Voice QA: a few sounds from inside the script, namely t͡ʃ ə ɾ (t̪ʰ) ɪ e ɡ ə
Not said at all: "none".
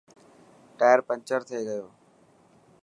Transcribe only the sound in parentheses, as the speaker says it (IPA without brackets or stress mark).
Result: t̪ʰ